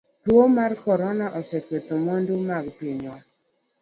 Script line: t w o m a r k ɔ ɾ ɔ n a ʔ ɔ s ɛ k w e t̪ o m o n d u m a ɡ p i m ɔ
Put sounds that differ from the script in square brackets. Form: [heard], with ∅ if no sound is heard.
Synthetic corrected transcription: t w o m a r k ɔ ɾ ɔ n a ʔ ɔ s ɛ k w e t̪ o m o n d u m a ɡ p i [ɲ] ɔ